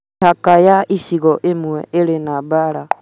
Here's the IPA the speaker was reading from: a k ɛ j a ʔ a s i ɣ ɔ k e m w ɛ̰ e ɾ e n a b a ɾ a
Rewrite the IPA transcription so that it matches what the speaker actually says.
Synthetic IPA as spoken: a k a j a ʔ i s i ɣ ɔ ʔ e m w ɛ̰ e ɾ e n a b a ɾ a